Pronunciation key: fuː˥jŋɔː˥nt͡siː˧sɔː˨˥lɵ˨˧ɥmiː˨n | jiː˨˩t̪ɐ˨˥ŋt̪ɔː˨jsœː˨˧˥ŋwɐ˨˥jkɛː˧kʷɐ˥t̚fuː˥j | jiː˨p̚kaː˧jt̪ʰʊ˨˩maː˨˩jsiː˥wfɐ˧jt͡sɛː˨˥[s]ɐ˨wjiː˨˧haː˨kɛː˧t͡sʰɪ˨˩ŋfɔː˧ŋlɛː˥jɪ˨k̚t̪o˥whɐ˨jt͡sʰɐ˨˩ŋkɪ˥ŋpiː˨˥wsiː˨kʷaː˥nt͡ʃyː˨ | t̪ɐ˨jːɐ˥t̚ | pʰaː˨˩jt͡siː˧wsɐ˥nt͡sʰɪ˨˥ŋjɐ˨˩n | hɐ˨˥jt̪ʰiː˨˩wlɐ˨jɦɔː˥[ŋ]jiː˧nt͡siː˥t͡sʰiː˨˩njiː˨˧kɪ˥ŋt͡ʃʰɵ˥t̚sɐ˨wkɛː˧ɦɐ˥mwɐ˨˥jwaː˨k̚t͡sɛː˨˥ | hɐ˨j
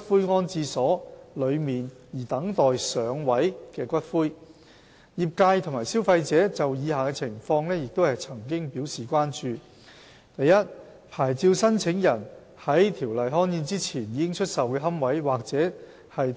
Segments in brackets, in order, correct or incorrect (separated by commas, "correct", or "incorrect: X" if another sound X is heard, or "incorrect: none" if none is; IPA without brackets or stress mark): incorrect: t͡s, incorrect: n